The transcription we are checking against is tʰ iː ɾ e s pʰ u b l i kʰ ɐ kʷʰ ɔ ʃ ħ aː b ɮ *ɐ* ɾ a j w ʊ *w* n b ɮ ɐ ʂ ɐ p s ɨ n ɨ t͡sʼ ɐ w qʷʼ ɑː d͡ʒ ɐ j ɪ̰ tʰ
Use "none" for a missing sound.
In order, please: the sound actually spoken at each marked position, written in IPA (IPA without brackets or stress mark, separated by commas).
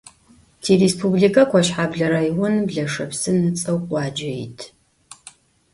ɐ, none